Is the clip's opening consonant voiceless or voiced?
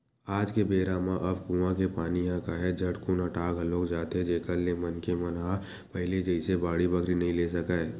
voiced